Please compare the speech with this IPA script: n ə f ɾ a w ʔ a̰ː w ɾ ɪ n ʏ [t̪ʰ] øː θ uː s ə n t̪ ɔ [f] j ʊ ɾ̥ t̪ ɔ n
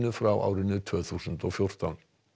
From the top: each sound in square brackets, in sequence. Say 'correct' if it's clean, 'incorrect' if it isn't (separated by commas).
correct, correct